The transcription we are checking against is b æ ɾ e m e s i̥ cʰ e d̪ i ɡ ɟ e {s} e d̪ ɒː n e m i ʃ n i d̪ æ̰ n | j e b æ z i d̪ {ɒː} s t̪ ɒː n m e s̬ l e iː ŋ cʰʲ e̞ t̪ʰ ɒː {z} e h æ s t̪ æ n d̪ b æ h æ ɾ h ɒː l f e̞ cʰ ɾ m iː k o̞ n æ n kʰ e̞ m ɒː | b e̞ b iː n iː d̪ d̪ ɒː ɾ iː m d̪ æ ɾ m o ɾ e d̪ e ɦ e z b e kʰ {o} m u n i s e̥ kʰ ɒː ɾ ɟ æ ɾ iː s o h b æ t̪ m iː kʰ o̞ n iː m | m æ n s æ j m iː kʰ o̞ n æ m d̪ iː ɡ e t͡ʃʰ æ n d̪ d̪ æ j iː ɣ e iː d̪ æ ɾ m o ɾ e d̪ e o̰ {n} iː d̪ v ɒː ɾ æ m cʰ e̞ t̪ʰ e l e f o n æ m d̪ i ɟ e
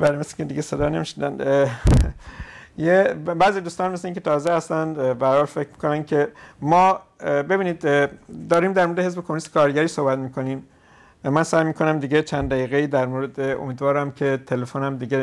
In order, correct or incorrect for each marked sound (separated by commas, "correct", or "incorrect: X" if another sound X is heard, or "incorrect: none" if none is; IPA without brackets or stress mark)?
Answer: correct, incorrect: uː, correct, correct, incorrect: m